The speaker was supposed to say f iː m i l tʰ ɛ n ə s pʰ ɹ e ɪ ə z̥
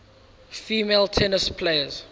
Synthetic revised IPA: f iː m e l tʰ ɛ n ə s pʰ l e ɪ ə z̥

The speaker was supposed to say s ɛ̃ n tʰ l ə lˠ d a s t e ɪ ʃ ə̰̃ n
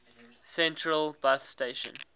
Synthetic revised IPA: s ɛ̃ n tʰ ɹ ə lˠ b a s t e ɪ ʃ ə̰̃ n

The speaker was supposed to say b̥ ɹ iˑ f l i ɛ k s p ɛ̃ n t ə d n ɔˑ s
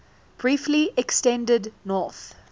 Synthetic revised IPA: b̥ ɹ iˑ f l i ɛ k s t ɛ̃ n d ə d n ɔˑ θ

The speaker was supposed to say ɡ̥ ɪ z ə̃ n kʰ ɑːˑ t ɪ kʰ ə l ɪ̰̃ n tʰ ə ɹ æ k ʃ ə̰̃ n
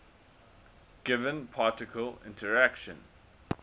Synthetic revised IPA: ɡ̥ ɪ v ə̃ n pʰ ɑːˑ t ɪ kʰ ə l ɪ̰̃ n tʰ ə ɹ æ k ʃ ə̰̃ n

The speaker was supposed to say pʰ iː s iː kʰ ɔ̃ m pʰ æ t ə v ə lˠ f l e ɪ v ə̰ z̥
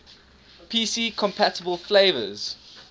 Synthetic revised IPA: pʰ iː s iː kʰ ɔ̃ m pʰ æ t ə b ə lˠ f l e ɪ v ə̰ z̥

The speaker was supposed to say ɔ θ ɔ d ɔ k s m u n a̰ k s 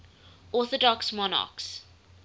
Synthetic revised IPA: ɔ θ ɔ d ɔ k s m ɔ n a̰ k s

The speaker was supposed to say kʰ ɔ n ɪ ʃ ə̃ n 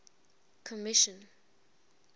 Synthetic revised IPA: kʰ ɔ m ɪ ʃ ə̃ n

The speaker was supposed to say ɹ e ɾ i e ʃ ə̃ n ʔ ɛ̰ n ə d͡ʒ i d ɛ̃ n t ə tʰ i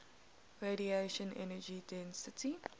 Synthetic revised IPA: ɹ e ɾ i e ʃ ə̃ n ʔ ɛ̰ n ə d͡ʒ i d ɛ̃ n s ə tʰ i

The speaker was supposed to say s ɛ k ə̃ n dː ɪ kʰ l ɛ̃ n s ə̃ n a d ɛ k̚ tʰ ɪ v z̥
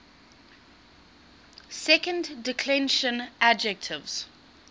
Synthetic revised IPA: s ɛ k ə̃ n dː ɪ kʰ l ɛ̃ n ʃ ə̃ n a d͡ʒ ɛ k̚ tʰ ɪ v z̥

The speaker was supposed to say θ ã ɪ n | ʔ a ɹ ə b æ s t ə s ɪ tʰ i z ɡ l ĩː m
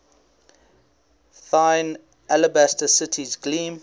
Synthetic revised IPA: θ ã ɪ n | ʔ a l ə b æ s t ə s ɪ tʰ i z ɡ l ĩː m

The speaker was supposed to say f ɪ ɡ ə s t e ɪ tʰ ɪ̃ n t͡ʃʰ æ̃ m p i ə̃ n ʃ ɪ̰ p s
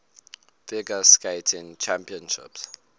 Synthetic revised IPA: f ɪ ɡ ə s k e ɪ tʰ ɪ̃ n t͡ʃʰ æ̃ m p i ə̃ n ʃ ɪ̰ p s

